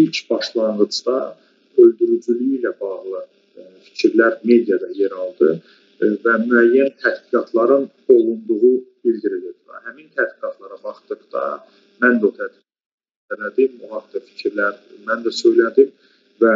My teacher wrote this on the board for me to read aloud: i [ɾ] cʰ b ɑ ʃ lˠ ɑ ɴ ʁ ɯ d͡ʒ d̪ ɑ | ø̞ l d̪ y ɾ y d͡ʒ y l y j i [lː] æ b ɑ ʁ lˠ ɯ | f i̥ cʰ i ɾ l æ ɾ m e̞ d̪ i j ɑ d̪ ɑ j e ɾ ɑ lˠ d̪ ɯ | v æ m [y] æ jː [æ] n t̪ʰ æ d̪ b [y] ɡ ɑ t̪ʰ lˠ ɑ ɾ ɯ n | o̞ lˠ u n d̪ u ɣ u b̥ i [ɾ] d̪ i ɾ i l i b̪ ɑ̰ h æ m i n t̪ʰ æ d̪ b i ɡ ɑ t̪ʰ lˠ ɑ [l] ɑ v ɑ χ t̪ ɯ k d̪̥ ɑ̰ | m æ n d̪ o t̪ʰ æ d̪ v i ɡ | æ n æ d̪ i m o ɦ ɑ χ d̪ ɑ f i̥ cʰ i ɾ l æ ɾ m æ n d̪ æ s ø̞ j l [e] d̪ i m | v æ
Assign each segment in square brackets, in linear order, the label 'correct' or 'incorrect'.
incorrect: l, incorrect: l, correct, correct, incorrect: i, incorrect: l, incorrect: ɾ, incorrect: æ

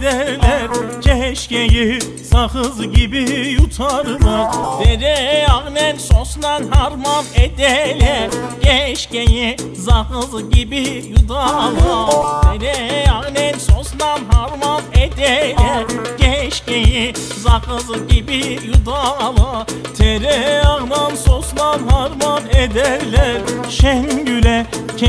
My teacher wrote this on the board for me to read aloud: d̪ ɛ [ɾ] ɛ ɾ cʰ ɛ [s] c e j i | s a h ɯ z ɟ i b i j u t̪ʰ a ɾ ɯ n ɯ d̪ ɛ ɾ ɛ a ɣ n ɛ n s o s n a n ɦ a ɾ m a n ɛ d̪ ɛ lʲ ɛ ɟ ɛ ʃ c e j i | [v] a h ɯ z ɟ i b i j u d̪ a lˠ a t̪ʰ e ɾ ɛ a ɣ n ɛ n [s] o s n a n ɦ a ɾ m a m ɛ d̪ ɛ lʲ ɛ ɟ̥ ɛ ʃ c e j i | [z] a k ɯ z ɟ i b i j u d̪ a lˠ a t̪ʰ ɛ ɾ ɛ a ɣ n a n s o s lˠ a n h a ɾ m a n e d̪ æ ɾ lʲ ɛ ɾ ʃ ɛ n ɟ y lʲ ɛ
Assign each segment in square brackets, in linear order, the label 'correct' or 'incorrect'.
incorrect: l, incorrect: ʃ, incorrect: z, correct, correct

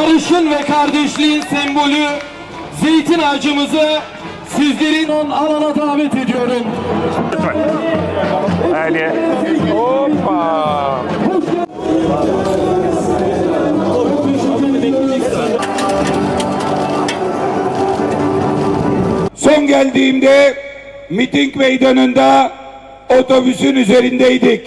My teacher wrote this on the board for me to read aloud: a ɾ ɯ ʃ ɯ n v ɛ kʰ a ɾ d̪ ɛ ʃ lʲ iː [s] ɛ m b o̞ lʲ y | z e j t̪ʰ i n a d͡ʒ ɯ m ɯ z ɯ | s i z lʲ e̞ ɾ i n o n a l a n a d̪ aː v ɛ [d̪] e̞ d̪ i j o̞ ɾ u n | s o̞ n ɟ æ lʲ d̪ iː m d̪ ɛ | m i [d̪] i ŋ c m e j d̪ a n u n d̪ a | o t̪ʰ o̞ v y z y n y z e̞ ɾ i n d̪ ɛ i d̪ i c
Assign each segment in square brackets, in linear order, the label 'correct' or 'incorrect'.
correct, incorrect: t̪, incorrect: t̪

